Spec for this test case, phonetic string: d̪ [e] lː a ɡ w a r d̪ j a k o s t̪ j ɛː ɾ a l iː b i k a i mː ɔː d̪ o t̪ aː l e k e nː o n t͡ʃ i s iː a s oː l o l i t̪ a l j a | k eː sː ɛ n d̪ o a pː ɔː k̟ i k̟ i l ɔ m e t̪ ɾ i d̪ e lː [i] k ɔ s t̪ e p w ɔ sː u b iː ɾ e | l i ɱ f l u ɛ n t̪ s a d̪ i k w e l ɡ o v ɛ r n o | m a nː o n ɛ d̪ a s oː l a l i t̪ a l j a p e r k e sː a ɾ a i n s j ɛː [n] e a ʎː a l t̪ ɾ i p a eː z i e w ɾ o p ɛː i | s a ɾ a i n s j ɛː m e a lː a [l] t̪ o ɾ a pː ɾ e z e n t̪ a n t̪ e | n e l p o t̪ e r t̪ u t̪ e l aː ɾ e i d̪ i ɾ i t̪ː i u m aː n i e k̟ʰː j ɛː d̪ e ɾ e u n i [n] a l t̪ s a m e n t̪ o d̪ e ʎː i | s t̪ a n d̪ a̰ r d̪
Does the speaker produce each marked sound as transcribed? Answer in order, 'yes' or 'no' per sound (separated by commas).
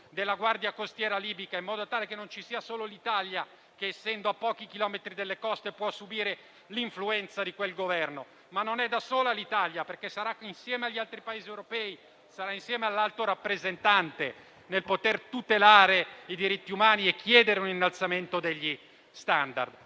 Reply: yes, no, no, yes, no